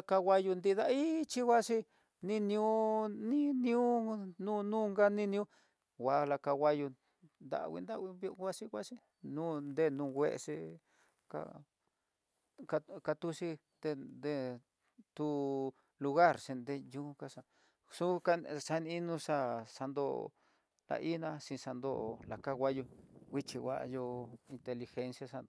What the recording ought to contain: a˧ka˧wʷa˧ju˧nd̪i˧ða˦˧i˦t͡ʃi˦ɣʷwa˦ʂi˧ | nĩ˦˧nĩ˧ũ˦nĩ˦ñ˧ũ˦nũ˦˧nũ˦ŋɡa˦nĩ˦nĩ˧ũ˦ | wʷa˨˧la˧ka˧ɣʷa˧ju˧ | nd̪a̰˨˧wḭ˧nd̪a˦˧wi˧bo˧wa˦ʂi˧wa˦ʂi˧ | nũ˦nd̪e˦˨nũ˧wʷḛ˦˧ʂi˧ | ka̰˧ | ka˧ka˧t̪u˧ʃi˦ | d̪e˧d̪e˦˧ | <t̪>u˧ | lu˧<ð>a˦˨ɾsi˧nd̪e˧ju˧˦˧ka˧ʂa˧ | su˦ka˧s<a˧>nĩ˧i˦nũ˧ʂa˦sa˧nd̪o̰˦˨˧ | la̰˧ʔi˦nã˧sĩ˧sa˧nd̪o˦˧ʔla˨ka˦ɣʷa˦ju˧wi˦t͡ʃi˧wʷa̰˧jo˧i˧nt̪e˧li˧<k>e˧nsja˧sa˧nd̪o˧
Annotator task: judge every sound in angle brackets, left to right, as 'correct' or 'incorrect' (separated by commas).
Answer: correct, incorrect, correct, incorrect